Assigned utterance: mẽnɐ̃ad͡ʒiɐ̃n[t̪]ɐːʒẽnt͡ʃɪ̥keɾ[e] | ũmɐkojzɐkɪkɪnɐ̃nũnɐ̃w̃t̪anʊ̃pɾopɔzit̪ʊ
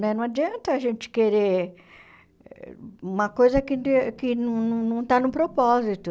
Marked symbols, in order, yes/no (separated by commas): yes, yes